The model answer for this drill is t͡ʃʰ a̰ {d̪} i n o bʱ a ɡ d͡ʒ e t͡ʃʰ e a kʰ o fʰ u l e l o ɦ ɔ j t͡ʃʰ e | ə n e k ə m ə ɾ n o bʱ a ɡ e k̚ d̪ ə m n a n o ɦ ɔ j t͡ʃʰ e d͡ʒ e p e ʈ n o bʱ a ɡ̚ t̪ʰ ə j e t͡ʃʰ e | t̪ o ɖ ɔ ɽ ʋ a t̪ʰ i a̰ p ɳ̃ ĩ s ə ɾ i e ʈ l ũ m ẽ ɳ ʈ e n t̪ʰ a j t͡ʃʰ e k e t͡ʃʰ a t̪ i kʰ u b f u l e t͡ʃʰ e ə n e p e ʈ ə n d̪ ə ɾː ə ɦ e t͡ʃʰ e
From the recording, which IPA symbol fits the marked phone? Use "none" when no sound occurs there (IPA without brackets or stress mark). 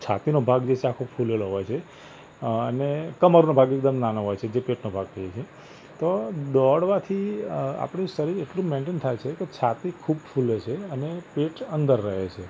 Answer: t̪